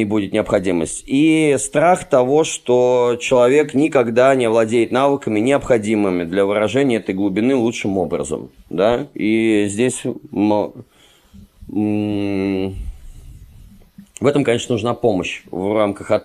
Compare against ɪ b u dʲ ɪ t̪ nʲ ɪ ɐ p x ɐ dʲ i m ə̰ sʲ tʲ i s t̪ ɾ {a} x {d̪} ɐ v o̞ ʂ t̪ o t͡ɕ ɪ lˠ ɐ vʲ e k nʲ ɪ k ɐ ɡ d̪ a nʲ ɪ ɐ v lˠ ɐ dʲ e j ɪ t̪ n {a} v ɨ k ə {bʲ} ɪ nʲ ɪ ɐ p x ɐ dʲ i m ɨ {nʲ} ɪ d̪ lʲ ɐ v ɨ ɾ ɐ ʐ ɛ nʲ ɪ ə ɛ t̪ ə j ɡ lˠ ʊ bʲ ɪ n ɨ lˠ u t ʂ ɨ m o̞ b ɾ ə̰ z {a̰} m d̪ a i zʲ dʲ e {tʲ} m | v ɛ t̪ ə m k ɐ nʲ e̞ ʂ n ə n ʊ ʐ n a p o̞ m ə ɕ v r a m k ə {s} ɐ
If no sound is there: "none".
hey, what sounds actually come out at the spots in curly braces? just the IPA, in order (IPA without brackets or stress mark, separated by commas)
a, t̪, a, mʲ, mʲ, ə̰, sʲ, x